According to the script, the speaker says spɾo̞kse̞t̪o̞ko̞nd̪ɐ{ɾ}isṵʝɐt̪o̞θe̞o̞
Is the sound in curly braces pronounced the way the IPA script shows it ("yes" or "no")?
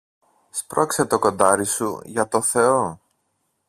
yes